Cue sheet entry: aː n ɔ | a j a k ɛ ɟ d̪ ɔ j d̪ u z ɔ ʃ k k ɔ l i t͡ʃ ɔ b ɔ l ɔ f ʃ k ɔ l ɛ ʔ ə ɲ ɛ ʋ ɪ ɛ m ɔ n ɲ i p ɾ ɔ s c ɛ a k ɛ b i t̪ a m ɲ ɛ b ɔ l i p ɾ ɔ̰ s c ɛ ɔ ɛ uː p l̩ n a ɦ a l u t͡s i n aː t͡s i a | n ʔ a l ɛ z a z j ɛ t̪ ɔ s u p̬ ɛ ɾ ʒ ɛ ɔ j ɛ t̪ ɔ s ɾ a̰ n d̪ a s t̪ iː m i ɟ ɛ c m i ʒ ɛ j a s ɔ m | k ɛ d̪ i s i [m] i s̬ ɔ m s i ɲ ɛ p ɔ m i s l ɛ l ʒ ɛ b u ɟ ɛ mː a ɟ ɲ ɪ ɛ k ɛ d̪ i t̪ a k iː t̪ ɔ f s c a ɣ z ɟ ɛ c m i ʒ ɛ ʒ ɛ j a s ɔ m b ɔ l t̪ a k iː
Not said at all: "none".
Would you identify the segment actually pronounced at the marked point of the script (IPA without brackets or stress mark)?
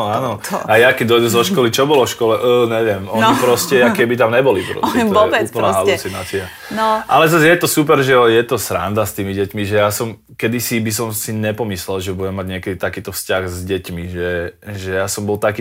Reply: b